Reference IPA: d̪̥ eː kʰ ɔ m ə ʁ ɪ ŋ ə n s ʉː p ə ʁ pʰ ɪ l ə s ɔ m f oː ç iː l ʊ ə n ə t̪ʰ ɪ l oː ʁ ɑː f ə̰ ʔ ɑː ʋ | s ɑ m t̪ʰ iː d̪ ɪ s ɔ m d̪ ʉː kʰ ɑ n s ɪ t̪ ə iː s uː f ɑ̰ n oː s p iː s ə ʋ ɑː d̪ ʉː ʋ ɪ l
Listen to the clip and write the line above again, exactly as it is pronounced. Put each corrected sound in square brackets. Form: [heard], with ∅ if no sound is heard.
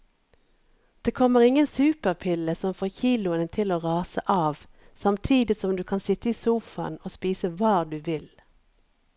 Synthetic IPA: d̪̥ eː kʰ ɔ m ə ʁ ɪ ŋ ə n s ʉː p ə ʁ pʰ ɪ l ə s ɔ m f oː ç iː l ʊ ə n ə t̪ʰ ɪ l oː ʁ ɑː [s] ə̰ ʔ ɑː ʋ | s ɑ m t̪ʰ iː d̪ ɪ s ɔ m d̪ ʉː kʰ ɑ n s ɪ t̪ ə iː s uː f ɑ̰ n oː s p iː s ə ʋ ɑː d̪ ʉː ʋ ɪ l